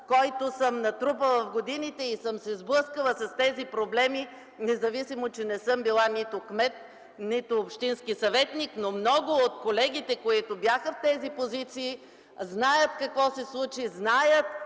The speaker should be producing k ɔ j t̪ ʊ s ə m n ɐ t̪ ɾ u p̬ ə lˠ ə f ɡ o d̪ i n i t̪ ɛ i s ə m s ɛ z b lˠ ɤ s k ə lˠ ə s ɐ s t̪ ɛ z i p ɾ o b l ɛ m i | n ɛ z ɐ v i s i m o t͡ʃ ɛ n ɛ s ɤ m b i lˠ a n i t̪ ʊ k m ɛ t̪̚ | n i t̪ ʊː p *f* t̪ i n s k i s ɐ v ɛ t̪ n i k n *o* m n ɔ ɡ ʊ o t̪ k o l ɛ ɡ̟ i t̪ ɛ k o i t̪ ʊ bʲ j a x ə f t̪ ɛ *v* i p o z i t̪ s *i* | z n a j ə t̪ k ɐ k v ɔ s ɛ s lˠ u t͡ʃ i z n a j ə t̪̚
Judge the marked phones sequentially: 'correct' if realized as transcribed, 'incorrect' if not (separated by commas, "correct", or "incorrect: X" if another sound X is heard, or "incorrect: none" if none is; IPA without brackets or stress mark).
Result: incorrect: ʃ, correct, incorrect: z, incorrect: iː